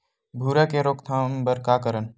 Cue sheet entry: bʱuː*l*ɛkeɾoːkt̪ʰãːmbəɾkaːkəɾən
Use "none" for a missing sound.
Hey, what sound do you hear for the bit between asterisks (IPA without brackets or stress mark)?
ɾ